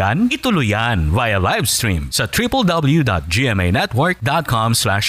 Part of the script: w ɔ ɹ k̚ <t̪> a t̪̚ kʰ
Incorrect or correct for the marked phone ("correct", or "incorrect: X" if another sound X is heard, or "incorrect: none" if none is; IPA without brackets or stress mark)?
incorrect: d̪